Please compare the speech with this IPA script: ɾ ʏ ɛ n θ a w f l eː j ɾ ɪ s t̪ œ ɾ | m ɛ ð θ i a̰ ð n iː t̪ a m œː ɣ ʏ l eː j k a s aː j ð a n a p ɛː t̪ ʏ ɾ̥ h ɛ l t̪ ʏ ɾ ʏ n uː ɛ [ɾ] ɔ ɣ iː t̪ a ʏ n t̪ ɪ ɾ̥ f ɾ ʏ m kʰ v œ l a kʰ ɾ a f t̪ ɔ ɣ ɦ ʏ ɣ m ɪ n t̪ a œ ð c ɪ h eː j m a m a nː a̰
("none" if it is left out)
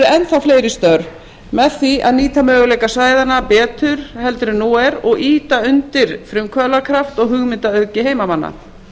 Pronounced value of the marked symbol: ɾ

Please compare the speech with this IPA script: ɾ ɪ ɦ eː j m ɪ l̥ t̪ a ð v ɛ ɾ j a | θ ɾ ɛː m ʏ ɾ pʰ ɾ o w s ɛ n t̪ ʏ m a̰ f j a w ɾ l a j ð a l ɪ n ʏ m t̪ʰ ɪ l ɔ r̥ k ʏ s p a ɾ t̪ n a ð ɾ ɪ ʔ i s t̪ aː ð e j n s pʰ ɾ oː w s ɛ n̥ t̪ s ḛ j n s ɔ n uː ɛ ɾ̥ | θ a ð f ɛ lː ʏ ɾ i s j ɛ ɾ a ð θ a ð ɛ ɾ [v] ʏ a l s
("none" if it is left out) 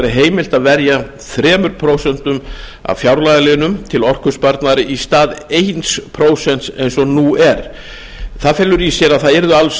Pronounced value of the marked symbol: ð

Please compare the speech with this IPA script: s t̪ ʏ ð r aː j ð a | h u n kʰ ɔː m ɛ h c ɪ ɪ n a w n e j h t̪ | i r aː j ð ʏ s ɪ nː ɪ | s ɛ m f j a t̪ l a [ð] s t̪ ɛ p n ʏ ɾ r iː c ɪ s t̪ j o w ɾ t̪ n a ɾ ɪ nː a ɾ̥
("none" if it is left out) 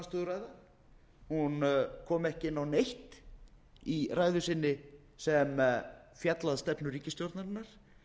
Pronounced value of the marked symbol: ð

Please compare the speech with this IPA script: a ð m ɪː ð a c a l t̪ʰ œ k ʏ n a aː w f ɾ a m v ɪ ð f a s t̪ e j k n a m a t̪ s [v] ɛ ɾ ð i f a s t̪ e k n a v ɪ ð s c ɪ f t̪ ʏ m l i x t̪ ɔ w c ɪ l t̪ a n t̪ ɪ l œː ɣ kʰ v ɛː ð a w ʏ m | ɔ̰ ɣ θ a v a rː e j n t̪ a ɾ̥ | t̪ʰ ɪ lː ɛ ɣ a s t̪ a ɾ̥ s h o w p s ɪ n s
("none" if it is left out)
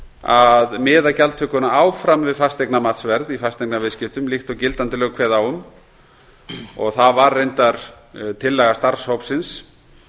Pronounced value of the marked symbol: v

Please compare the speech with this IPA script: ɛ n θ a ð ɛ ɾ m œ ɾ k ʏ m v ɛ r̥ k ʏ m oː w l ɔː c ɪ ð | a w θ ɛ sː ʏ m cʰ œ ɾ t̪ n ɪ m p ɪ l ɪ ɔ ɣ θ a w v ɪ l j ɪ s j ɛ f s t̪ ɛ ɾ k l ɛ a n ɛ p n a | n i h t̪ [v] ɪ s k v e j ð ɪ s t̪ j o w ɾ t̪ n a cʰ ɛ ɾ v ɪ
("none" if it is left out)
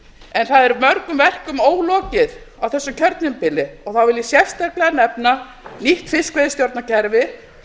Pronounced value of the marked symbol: f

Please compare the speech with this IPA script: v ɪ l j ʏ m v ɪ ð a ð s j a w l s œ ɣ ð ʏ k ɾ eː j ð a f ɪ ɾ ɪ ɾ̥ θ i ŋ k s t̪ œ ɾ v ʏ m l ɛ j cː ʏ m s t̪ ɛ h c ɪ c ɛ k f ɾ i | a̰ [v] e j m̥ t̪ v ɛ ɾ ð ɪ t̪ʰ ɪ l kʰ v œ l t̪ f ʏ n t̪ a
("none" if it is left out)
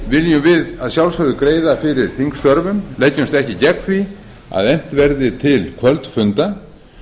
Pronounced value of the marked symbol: ð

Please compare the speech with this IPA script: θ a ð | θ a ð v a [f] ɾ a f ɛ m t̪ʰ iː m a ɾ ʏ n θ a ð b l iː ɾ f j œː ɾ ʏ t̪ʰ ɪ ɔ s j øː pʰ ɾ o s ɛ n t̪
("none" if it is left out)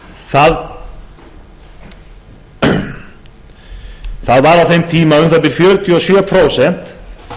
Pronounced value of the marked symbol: none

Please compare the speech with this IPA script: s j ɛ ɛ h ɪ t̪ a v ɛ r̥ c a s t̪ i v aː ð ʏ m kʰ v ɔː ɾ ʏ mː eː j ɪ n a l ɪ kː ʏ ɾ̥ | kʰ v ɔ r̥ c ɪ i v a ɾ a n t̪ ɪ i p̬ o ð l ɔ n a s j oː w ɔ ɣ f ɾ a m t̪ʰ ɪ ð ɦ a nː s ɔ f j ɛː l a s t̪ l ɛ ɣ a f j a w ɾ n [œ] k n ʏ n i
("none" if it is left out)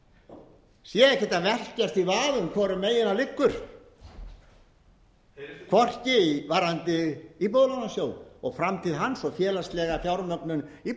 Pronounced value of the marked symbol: œ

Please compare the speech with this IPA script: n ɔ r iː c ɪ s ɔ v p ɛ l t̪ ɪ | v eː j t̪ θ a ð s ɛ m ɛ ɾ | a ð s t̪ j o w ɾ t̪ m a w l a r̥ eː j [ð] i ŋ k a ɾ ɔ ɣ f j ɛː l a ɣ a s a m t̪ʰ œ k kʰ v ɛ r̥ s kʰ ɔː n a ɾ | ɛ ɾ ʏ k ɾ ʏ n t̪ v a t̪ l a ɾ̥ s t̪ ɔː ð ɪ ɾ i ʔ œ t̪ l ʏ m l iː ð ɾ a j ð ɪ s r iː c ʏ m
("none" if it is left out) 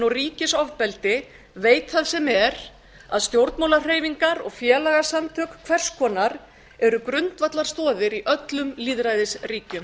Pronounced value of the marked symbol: v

